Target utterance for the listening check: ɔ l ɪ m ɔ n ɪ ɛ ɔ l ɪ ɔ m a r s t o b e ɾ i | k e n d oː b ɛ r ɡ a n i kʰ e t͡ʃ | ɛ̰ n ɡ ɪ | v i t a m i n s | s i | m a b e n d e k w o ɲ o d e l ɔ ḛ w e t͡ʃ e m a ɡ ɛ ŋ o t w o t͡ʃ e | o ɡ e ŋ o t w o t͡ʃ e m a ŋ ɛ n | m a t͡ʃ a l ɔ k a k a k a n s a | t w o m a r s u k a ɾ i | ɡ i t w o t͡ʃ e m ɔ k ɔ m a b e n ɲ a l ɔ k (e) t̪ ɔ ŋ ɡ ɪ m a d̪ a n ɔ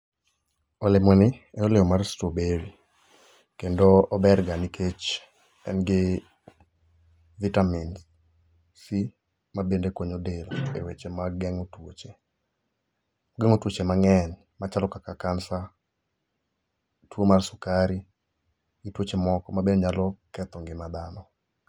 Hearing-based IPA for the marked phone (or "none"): ɛ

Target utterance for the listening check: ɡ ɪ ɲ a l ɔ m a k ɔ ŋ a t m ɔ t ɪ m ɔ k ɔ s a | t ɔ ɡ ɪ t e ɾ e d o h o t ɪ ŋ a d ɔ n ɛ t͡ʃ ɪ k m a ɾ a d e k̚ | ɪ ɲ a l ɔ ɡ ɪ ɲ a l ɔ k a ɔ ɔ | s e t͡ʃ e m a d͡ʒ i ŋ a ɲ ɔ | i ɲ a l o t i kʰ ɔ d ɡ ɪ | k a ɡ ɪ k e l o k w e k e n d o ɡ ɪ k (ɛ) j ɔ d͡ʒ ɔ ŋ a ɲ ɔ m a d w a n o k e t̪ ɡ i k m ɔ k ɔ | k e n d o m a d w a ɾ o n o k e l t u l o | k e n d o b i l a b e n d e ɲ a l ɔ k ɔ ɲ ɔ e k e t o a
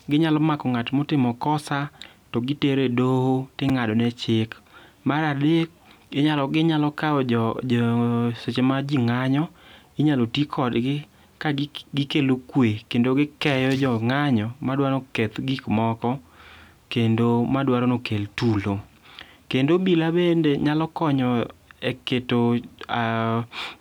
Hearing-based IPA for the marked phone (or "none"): ɛ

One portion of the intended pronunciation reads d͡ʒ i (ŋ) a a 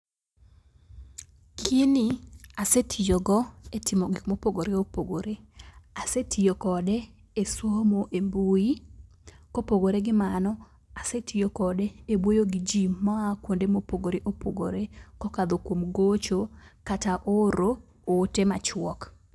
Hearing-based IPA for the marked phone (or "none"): m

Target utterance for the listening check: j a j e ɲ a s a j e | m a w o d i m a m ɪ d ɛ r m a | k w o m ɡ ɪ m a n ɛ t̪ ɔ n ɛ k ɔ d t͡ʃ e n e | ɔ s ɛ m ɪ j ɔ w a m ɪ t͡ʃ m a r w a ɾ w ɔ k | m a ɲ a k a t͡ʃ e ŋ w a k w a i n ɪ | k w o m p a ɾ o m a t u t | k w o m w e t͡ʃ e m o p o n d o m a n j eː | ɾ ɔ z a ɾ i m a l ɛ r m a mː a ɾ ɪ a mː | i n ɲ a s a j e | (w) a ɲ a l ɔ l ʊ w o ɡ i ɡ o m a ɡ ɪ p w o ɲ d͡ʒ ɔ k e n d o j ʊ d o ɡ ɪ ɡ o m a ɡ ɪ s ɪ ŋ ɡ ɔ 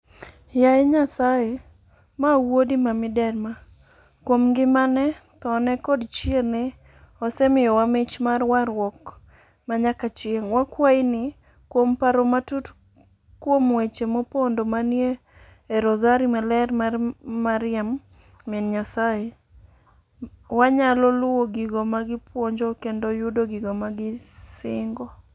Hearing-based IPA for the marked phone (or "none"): w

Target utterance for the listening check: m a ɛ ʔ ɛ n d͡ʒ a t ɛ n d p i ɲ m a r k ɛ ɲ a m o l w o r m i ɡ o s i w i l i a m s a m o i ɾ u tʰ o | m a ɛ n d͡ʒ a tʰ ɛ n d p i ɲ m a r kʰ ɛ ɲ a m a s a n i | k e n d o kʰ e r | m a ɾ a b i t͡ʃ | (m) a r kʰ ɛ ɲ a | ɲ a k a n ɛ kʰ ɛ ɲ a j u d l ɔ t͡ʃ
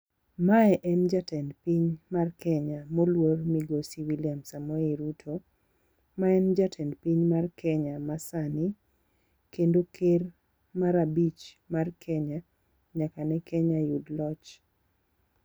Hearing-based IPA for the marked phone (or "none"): m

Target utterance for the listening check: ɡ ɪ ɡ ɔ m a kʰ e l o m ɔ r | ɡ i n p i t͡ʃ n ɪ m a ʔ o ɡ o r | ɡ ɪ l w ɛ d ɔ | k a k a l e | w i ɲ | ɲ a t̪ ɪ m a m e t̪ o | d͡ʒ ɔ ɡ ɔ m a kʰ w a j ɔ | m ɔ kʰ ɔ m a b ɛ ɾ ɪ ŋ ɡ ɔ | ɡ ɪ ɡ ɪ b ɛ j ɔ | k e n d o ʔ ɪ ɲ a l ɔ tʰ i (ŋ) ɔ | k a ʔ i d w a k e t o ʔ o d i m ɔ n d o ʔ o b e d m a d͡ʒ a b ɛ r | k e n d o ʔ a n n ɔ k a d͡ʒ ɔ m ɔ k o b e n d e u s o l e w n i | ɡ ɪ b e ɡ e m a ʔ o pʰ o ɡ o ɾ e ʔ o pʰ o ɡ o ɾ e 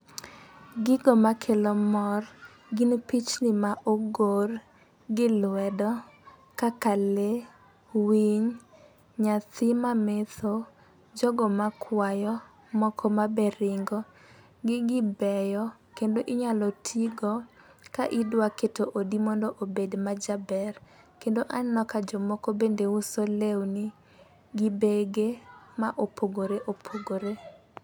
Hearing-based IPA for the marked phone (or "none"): ɡ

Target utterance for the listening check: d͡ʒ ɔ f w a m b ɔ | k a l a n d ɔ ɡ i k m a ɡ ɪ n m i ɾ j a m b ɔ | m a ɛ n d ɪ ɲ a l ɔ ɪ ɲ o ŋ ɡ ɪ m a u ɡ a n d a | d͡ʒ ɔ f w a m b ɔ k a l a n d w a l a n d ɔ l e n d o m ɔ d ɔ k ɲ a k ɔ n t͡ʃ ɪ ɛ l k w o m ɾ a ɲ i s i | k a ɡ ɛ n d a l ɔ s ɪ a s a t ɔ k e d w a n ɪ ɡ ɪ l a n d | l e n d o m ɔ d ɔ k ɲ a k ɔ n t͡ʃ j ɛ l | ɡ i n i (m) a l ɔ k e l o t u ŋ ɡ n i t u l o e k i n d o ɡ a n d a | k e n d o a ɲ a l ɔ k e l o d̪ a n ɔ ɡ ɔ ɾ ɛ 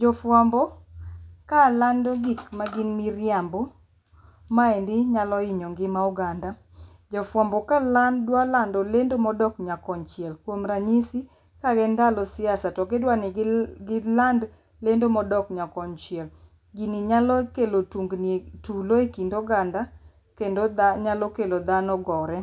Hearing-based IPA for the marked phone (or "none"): ɲ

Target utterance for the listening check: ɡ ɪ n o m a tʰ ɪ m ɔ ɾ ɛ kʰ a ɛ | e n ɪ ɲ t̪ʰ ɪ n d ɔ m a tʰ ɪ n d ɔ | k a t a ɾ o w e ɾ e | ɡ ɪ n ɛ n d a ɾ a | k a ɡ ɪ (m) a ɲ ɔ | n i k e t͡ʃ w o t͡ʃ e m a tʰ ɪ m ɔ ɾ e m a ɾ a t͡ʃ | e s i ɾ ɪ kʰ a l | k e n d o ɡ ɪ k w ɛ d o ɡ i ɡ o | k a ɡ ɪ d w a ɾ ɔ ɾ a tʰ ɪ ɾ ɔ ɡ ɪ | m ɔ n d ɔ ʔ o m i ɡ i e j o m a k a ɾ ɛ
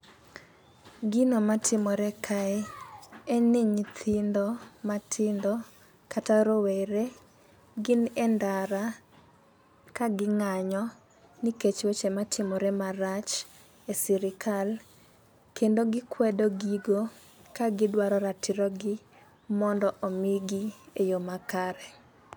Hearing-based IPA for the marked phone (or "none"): ŋ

